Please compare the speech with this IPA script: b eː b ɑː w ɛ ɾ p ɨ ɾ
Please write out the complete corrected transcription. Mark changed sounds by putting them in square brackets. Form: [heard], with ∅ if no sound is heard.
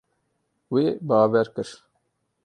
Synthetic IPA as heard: [w] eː b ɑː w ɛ ɾ [k] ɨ ɾ

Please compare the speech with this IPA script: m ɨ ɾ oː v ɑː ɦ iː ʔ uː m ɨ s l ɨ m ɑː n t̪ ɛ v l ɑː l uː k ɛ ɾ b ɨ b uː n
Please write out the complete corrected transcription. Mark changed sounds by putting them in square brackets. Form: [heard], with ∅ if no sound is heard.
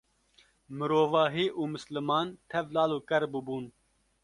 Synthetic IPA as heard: m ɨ ɾ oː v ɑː ɦ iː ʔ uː m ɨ s l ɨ m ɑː n [t̪ʰ] ɛ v l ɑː l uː k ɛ ɾ b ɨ b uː n

